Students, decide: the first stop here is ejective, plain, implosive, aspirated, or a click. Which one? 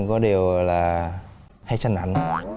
plain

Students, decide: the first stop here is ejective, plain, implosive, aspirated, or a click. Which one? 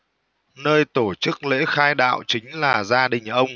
plain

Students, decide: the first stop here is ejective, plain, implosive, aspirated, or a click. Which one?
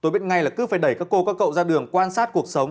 plain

